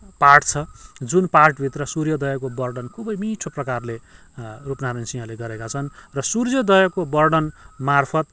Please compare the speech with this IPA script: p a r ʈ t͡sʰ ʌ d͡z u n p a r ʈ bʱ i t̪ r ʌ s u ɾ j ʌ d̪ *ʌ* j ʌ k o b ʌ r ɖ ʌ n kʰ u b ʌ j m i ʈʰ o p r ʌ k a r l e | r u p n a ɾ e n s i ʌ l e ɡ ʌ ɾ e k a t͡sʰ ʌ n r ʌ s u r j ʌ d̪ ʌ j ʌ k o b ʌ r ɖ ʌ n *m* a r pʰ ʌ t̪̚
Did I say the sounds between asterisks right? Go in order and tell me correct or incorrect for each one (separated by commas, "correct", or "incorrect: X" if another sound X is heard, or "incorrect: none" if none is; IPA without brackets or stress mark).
correct, correct